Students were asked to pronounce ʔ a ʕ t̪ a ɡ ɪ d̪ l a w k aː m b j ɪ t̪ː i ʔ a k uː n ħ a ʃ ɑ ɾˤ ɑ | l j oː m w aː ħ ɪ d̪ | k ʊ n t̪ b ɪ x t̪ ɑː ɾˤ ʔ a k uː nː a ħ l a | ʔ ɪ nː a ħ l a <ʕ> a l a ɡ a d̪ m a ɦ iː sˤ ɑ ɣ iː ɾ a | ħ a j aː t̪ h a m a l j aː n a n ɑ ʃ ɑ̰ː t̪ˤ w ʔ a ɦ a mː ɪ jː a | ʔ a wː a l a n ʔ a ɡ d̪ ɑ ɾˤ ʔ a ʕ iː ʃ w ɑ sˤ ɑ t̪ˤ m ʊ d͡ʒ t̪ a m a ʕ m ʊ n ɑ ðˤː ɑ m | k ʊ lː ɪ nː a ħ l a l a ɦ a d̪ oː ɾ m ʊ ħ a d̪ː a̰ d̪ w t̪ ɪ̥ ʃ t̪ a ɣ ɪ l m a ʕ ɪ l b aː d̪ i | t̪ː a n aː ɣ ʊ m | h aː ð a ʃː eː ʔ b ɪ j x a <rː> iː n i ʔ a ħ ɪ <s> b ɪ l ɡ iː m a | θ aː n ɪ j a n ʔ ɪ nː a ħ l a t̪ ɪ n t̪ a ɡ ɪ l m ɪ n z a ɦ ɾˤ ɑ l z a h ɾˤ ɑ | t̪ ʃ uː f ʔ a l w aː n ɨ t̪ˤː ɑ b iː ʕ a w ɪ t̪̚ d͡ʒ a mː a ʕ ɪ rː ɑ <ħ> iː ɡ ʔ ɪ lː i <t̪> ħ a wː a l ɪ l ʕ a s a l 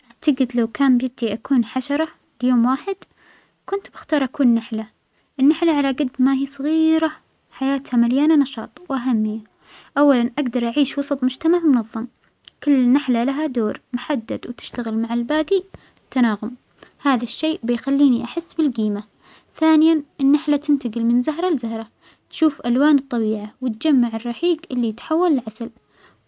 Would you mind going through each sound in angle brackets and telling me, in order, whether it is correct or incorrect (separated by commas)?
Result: correct, incorrect, incorrect, correct, correct